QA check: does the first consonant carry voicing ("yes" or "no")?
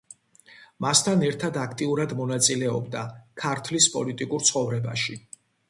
yes